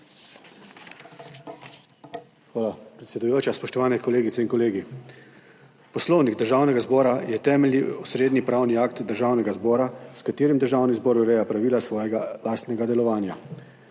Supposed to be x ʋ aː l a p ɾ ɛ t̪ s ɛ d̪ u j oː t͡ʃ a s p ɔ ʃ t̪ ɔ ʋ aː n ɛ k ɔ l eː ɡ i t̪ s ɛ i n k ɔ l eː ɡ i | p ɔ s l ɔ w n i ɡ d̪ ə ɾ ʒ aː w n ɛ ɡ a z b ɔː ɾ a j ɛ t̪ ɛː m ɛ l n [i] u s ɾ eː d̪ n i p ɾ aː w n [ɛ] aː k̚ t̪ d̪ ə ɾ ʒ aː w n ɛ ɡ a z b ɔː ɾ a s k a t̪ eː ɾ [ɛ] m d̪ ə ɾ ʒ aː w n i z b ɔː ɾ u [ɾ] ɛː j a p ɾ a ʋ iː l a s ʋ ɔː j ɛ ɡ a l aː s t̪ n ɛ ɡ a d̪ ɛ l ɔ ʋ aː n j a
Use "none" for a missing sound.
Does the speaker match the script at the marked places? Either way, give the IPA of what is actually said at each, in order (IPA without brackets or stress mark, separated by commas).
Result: i, i, i, ɾ